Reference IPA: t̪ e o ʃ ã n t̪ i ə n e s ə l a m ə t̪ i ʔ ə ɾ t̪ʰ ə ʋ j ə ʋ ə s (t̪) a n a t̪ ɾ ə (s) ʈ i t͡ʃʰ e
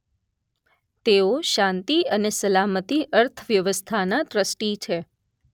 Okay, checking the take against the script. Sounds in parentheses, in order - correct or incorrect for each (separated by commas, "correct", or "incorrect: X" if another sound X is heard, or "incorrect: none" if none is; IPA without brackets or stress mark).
incorrect: t̪ʰ, correct